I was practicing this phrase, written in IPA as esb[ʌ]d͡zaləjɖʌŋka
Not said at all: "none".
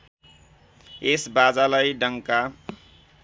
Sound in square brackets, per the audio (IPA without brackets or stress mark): a